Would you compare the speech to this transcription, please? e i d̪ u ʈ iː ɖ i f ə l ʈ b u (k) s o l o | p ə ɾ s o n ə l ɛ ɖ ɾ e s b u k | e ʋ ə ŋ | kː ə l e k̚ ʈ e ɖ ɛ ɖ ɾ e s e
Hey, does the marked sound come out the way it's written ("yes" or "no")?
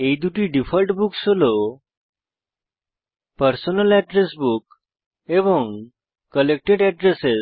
yes